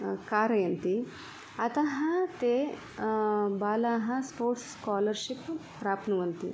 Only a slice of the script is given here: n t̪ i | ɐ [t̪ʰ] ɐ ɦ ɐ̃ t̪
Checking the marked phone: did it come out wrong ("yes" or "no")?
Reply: yes